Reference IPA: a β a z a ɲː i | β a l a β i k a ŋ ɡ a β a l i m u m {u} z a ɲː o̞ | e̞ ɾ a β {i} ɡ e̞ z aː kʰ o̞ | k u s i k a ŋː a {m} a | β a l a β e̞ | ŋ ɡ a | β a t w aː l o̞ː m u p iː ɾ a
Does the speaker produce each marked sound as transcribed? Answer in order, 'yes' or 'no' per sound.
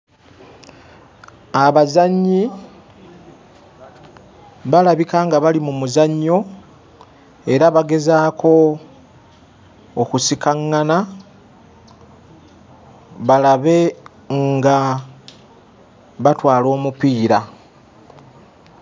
yes, no, no

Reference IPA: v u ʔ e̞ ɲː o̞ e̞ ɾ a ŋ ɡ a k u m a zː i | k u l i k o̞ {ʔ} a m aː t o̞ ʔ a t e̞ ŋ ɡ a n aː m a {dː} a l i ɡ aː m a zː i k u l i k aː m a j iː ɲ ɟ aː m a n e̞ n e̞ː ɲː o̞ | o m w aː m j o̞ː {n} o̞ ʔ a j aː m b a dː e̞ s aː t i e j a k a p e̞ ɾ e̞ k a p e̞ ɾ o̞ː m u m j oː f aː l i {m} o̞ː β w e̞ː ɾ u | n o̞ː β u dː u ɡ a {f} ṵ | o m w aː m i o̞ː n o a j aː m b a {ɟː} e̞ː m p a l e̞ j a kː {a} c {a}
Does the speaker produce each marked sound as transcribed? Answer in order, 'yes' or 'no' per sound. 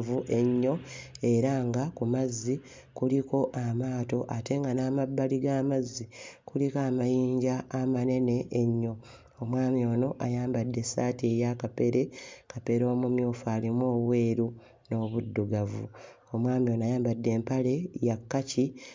yes, no, yes, yes, no, no, yes, no

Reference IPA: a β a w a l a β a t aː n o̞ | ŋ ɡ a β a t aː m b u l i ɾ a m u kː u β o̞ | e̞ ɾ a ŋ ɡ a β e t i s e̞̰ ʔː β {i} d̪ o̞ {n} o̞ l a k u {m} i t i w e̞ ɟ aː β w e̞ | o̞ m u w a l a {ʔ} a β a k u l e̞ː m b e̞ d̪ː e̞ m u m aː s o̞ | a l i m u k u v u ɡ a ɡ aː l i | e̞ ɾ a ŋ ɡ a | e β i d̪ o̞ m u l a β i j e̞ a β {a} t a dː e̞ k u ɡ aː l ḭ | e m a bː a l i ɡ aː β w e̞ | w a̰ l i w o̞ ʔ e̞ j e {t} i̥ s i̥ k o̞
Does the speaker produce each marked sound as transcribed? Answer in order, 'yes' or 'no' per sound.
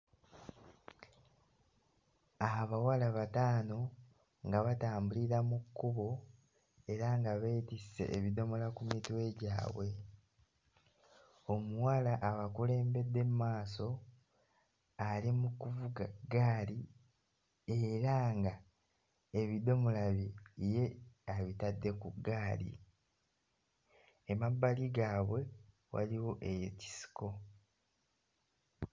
yes, no, yes, yes, no, no

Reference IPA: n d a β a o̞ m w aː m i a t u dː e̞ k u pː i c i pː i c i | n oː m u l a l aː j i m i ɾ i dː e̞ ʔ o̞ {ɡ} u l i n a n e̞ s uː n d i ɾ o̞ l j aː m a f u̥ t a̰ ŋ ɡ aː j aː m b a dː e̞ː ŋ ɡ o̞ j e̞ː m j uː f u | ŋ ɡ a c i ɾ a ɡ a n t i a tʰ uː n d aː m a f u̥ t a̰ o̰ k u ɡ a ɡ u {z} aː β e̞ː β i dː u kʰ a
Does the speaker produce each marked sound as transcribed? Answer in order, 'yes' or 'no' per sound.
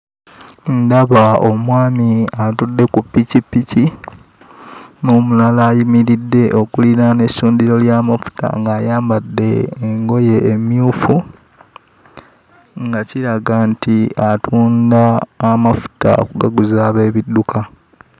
no, yes

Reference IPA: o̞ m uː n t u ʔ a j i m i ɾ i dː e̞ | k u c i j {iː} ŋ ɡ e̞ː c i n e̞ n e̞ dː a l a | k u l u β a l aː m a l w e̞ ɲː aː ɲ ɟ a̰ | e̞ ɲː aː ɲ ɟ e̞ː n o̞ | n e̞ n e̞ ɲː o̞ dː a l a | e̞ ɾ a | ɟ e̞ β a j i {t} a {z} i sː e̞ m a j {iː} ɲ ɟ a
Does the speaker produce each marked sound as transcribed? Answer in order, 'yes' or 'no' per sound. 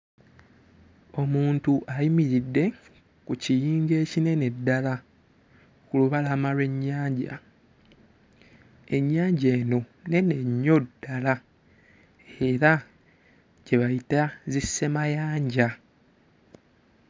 yes, yes, yes, no

